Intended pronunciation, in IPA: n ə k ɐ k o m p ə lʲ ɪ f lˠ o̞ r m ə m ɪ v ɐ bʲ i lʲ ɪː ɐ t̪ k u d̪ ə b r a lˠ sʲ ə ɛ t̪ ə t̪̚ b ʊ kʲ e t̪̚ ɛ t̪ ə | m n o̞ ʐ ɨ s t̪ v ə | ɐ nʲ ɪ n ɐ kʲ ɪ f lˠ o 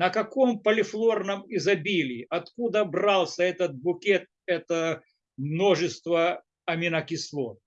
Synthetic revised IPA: n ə k ɐ k o m p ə lʲ ɪ f lˠ o̞ r n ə m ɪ z ɐ bʲ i lʲ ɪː ɐ t̪ k u d̪ ə b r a lˠ sʲ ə ɛ t̪ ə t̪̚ b ʊ kʲ e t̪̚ ɛ t̪ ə | m n o̞ ʐ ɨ s t̪ v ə | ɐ mʲ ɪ n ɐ kʲ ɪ s lˠ o

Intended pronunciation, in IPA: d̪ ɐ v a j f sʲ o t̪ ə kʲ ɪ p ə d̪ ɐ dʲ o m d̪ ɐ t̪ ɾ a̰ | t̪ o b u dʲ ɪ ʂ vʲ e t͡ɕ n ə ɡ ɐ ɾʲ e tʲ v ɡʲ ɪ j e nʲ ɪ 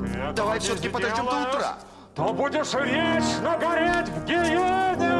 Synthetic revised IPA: d̪ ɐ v a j f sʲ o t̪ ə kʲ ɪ p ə d̪ ɐ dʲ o m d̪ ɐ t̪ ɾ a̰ | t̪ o b u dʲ ɪ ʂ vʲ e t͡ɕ n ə ɡ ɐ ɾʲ e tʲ v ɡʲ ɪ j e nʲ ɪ

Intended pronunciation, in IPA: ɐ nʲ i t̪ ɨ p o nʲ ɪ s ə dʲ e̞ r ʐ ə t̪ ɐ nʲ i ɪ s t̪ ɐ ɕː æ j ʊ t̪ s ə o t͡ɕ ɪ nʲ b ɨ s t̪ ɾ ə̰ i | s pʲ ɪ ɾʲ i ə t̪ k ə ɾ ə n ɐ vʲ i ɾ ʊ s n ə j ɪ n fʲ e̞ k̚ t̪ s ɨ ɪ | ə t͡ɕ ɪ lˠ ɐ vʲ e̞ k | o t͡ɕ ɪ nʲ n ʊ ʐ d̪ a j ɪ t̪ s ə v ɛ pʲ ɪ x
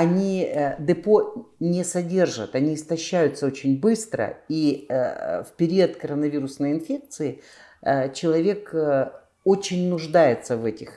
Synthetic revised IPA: ɐ nʲ i d̪ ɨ p o nʲ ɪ s ɐ dʲ e̞ r ʐ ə t̪ ɐ nʲ i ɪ s t̪ ɐ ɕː æ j ʊ t̪ s ə o t͡ɕ ɪ nʲ b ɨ s t̪ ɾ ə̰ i | f pʲ ɪ ɾʲ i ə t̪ k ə ɾ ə n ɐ vʲ i ɾ ʊ s n ə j ɪ n fʲ e̞ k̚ t̪ s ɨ ɪ | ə t͡ɕ ɪ lˠ ɐ vʲ e̞ k | o t͡ɕ ɪ nʲ n ʊ ʐ d̪ a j ɪ t̪ s ə v ɛ tʲ ɪ x

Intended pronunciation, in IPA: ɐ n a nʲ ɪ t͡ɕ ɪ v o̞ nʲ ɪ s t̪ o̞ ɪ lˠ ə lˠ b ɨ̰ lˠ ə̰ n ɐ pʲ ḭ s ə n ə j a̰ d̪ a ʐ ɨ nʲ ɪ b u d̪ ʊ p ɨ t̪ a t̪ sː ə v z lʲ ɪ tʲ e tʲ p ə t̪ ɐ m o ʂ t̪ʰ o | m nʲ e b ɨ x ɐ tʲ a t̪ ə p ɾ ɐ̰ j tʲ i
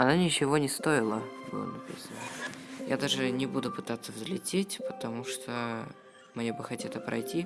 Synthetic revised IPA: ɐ n a nʲ ɪ t͡ɕ ɪ v o̞ nʲ ɪ s t̪ o̞ ɪ lˠ ə b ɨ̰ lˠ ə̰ n ɐ pʲ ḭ s ə n ə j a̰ d̪ a ʐ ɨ nʲ ɪ b u d̪ ʊ p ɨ t̪ a t̪ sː ə v z lʲ ɪ tʲ e tʲ p ə t̪ ɐ m u ʂ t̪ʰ o | m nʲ e b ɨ x ɐ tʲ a t̪ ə p ɾ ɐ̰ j tʲ i

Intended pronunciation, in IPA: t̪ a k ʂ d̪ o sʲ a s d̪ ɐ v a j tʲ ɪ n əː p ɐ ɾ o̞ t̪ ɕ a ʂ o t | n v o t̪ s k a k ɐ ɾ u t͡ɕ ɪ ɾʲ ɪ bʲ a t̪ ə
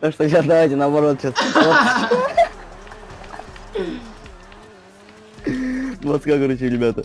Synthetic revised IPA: t̪ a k ʂ t̪ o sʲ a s d̪ ɐ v a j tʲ ɪ n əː b ɐ ɾ o̞ t̪ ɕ a s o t | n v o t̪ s k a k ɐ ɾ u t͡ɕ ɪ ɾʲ ɪ bʲ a t̪ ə

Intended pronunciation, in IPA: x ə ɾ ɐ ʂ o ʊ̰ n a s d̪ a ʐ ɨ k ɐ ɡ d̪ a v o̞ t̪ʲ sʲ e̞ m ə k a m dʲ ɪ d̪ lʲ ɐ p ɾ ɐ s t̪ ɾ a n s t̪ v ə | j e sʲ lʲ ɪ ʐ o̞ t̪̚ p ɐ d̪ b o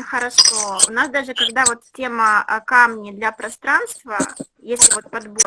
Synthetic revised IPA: x ə ɾ ɐ ʂ o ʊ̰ n a s d̪ a ʐ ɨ k ɐ ɡ d̪ a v o̞ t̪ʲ tʲ e̞ m ə k a m nʲ ɪ d̪ lʲ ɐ p ɾ ɐ s t̪ ɾ a n s t̪ v ə | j e sʲ lʲ ɪ v o̞ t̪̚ p ɐ d̪ b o

